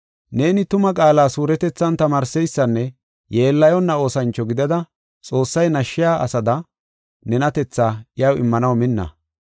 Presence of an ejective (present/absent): present